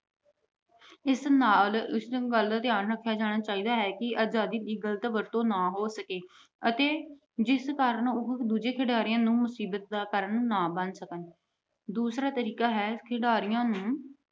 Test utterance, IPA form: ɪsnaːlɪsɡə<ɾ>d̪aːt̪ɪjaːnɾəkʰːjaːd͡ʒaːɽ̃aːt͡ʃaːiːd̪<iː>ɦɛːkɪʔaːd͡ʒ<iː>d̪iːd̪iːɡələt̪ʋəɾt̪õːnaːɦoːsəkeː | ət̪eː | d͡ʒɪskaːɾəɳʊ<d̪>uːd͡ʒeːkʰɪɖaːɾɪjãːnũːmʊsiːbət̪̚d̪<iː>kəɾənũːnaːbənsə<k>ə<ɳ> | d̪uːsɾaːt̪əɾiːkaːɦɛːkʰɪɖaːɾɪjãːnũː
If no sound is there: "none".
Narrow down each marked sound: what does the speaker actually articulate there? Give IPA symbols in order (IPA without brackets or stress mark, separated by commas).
l, aː, aː, d̪, aː, k, n